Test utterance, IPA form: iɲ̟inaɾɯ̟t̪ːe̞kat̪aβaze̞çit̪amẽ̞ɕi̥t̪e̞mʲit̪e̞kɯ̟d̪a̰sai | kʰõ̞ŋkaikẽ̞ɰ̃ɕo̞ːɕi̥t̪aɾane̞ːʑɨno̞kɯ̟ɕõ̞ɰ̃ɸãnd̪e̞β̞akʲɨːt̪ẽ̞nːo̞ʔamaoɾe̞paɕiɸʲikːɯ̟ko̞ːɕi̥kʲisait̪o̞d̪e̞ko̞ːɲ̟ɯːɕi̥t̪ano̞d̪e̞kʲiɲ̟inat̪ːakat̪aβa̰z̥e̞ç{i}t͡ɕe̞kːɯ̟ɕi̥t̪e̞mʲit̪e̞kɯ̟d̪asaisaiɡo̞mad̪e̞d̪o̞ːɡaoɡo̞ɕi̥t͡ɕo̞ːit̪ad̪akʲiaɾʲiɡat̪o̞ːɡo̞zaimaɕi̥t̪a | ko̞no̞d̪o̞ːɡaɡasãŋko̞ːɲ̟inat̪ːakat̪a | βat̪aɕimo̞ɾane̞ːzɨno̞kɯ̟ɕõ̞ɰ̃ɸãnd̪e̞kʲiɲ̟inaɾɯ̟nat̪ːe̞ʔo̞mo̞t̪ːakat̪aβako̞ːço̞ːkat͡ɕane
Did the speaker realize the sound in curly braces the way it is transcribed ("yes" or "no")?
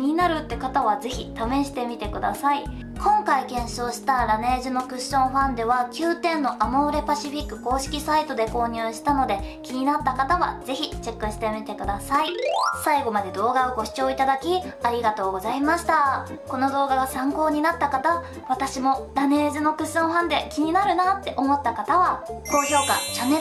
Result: yes